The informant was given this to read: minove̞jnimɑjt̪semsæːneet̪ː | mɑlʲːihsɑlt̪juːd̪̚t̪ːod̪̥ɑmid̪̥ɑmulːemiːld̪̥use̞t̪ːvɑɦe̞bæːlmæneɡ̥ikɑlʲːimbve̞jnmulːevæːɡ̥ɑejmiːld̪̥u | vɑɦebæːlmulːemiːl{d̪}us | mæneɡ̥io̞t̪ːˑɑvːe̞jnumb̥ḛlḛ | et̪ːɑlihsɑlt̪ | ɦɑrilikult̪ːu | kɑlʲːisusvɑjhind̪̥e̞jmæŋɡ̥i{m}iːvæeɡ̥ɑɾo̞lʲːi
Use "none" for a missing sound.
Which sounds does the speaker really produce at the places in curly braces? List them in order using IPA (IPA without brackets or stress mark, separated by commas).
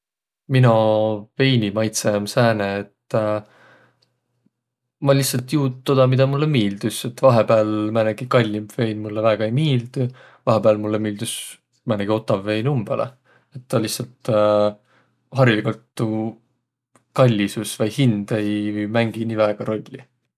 d̪, n